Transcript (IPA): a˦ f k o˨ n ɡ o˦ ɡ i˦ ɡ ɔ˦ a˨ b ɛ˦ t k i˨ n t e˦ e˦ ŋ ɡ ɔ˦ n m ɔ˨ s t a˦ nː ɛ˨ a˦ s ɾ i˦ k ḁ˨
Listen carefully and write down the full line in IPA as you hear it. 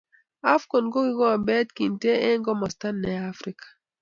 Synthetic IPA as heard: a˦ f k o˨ n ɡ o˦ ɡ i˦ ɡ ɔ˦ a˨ b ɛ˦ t k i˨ n t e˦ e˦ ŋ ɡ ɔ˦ m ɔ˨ s t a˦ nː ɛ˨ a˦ f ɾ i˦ k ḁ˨